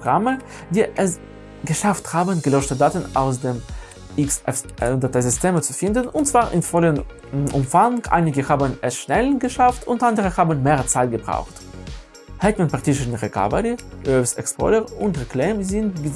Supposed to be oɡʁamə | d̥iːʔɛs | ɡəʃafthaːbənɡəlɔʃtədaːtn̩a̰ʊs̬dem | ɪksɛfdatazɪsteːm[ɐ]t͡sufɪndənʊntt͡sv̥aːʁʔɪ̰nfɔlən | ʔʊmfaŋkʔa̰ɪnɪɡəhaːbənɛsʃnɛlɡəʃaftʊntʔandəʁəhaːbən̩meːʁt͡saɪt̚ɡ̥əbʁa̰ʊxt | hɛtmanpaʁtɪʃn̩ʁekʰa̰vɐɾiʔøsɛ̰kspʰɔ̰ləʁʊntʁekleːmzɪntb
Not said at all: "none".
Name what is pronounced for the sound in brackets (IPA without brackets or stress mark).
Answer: ə